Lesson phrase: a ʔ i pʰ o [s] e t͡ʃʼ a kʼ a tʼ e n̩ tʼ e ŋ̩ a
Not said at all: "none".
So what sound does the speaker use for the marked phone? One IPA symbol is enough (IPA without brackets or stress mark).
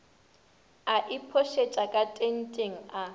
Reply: ʃ